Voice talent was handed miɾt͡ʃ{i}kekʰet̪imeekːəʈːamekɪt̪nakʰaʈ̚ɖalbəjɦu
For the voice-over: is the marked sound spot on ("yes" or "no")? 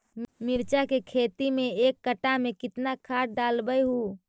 no